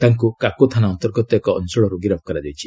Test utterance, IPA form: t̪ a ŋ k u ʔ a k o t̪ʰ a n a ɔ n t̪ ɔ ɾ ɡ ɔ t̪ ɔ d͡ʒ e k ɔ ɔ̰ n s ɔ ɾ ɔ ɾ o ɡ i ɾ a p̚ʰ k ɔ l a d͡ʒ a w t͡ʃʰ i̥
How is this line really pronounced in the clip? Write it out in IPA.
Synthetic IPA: t̪ a ŋ k u k a k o t̪ʰ a n a ɔ n t̪ ɔ ɾ ɡ ɔ t̪ ɔ e k ɔ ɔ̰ n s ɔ ɭ ɔ ɾ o ɡ i ɾ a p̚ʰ k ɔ ɾ a d͡ʒ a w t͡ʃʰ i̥